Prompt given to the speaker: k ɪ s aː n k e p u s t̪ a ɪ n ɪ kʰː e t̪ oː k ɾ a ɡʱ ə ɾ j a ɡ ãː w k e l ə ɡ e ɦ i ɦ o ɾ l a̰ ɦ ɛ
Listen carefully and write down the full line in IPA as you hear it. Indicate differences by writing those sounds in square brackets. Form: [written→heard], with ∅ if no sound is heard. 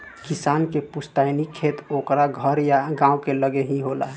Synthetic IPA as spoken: k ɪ s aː n k e p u s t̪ a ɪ n [ɪ→i] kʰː e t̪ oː k ɾ a ɡʱ ə ɾ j a ɡ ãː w k e l ə ɡ e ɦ i ɦ o [ɾ→∅] l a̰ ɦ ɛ